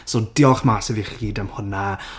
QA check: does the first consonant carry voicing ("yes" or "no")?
no